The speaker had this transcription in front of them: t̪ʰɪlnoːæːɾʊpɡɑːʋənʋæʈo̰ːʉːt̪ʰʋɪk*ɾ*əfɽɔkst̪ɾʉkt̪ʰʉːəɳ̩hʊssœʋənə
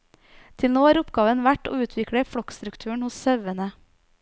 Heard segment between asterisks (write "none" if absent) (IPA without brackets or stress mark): ɽ